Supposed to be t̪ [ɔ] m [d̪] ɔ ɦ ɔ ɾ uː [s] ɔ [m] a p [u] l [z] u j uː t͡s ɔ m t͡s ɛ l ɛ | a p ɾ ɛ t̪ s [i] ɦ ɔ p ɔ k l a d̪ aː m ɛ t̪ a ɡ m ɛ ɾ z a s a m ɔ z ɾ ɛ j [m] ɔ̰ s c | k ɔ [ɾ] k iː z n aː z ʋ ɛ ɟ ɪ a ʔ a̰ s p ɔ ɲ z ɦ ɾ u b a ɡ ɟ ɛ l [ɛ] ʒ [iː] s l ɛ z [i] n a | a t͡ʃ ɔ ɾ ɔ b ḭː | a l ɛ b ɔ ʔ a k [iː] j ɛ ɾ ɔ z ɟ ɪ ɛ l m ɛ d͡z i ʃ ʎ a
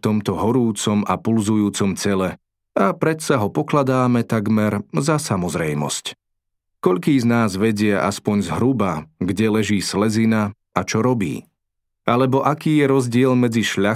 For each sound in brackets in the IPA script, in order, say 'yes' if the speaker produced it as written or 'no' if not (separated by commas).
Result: yes, no, no, yes, yes, yes, no, yes, no, yes, yes, yes, yes